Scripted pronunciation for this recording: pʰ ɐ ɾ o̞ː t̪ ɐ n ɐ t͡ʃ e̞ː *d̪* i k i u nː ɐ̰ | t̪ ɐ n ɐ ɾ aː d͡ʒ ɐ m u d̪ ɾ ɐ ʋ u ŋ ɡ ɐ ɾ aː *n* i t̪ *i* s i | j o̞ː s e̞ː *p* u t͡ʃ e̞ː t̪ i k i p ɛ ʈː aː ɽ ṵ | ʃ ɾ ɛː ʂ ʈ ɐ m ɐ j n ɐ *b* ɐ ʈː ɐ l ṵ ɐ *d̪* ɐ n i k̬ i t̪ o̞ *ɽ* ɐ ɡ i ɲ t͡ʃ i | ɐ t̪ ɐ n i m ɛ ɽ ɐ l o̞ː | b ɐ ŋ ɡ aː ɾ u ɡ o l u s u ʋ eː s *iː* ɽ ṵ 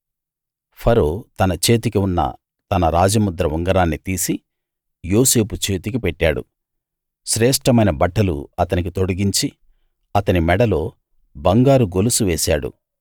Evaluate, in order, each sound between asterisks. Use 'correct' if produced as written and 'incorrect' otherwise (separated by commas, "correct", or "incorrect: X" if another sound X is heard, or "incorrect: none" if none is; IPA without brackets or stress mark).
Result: incorrect: t̪, incorrect: nː, incorrect: iː, correct, correct, incorrect: t̪, correct, incorrect: aː